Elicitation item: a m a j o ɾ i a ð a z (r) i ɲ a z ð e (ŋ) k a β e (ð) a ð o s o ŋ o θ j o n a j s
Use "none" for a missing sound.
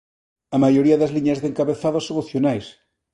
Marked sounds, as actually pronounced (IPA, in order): l, ŋ, θ

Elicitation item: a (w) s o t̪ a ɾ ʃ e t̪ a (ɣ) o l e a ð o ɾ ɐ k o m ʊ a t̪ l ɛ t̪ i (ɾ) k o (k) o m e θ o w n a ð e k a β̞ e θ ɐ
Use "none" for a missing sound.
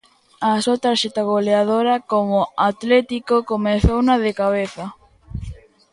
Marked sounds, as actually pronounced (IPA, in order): none, ɣ, none, k

